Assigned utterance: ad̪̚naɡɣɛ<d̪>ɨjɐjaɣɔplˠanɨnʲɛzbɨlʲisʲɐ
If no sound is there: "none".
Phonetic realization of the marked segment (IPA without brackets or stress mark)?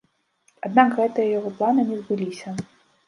t̪